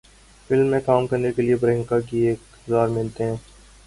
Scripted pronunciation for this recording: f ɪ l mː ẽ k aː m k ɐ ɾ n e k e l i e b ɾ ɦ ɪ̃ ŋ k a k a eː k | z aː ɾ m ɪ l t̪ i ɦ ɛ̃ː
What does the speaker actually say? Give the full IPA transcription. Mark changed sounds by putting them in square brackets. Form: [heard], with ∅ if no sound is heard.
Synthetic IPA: f ɪ l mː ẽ k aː m k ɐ ɾ n e k e l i e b ɾ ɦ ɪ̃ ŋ k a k [i] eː k | z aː ɾ m ɪ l t̪ [e] ɦ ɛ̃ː